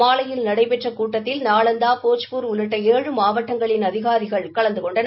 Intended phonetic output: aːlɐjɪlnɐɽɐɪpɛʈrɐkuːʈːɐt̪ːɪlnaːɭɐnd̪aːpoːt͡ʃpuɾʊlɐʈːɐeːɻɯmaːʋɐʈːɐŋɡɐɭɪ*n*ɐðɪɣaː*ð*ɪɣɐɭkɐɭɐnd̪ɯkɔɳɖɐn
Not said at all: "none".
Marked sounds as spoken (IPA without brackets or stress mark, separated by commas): n, ð